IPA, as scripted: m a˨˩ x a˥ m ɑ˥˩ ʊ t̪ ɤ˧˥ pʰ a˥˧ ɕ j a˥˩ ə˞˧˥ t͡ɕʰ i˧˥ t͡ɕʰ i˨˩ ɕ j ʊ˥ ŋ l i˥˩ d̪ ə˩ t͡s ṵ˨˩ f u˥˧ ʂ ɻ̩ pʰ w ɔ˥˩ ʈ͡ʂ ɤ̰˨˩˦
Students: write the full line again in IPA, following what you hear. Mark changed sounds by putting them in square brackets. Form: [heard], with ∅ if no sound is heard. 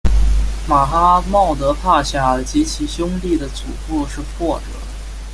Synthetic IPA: m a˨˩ x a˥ m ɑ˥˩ ʊ t̪ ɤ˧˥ pʰ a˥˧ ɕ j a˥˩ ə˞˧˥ [t͡ɕ] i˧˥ t͡ɕʰ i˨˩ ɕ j ʊ˥ ŋ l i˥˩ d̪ ə˩ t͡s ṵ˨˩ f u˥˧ ʂ ɻ̩ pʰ w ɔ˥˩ ʈ͡ʂ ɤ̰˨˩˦